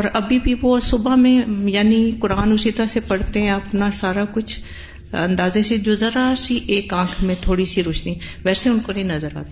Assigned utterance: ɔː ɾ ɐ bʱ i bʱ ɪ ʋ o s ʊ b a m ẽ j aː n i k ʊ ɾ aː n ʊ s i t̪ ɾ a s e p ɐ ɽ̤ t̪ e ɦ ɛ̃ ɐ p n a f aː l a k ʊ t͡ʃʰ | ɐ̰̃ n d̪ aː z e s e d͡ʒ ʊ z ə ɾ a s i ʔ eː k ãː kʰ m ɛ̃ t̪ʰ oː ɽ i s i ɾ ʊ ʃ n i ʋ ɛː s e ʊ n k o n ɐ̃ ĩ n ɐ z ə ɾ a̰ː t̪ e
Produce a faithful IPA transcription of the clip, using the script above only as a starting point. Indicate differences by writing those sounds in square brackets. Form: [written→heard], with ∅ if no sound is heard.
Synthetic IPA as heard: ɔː ɾ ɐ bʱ i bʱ [ɪ→i] ʋ o s ʊ b a m ẽ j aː n i k ʊ ɾ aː n ʊ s i t̪ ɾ a s e p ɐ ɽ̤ t̪ e ɦ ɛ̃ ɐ p n a [f→s] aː [l→ɾ] a k ʊ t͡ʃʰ | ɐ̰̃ n d̪ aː z e s e d͡ʒ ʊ z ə ɾ a s i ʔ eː k ãː kʰ m [ɛ̃→ẽ] t̪ʰ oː ɽ i s i ɾ ʊ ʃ n i ʋ ɛː s e ʊ n k o n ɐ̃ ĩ n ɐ z ə ɾ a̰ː t̪ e